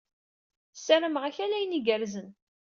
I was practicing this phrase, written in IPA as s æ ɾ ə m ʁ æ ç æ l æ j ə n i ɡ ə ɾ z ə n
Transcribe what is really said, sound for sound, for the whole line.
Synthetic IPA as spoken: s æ ɾ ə m ʁ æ ç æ l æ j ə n i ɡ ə ɾ z ə n

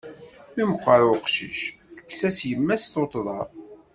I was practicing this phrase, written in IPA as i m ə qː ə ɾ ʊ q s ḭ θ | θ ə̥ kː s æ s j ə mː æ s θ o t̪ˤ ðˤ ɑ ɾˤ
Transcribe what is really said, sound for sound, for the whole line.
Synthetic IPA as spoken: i m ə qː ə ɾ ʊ q ʃ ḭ ʃ | θ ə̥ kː s æ s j ə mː æ s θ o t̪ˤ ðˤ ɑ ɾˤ

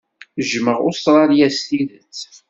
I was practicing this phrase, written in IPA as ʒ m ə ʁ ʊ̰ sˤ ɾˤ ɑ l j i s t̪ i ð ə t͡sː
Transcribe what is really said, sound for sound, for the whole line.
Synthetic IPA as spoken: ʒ m ə ʁ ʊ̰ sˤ ɾˤ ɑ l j æ s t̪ i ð ə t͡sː

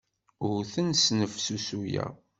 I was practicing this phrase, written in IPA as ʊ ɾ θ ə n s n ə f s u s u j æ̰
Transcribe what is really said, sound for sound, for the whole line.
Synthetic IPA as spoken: ʊ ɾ θ ə n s n ə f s u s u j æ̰

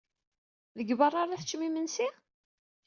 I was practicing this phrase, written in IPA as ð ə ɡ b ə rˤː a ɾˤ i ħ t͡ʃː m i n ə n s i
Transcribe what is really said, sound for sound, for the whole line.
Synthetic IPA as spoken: ð ə ɡ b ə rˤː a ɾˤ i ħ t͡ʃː m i m ə n s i

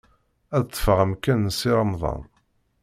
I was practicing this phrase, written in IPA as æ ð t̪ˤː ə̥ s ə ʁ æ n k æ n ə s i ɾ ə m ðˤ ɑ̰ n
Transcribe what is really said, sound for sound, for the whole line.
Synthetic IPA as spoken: æ ð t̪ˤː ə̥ f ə ʁ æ m k æ n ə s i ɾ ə m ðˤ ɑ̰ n

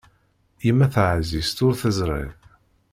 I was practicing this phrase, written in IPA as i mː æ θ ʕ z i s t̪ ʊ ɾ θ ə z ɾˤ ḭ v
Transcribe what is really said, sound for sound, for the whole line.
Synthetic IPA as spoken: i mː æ θ ʕ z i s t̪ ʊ ɾ θ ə z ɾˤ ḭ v

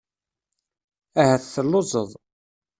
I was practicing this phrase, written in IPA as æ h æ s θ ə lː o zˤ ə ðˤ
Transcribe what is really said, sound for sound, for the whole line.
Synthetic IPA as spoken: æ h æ θ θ ə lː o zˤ ə ðˤ

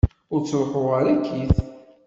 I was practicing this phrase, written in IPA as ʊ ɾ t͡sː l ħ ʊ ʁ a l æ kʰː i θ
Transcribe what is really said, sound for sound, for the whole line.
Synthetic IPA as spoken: ʊ ɾ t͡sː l ħ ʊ ʁ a ɾ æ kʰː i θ

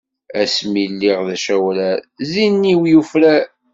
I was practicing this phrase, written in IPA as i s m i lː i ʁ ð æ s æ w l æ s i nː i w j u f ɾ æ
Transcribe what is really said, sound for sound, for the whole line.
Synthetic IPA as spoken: æ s m i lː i ʁ ð æ ʃ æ w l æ z i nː i w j u f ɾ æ

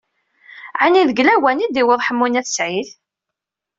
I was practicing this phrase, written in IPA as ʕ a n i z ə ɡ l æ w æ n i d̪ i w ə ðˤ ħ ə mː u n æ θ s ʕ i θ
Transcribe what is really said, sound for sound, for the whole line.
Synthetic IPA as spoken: ʕ a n i ð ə ɡ l æ w æ n i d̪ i w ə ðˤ ħ ə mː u n æ θ s ʕ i θ

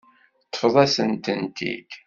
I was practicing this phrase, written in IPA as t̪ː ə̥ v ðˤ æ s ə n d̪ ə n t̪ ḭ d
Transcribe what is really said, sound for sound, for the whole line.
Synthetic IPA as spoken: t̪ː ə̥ f ðˤ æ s ə n t̪ ə n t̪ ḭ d

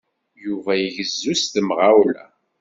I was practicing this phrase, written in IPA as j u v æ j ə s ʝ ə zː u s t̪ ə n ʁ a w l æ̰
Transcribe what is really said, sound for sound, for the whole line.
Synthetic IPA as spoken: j u v æ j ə ʝ ə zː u s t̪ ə m ʁ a w l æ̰

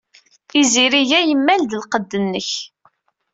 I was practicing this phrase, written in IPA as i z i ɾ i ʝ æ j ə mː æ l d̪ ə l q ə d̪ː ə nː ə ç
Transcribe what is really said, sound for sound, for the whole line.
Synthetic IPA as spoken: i z i ɾ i ʝ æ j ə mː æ l d̪ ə l q ə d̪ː ə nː ə ç

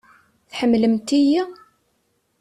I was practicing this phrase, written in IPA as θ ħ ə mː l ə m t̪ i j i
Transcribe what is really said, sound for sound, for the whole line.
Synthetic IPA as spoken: θ ħ ə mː l ə m t̪ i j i

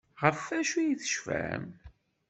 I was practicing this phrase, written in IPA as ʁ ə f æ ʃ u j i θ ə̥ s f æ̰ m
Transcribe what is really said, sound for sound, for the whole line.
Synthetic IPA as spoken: ʁ ə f æ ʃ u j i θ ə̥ ʃ f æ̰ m

